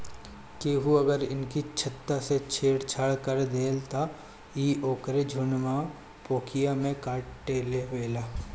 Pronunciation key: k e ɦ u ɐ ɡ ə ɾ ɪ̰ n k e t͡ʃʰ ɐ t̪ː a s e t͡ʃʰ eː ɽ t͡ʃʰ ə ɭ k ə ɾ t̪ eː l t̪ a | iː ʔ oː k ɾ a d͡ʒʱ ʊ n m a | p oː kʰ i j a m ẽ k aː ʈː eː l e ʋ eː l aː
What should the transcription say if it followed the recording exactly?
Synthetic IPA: k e ɦ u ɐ ɡ ə ɾ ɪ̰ n k i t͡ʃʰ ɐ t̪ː a s e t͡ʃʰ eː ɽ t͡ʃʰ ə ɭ k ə ɾ d̪ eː l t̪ a | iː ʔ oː k ɾ e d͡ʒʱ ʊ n m a | p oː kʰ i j a m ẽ k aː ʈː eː l e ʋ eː l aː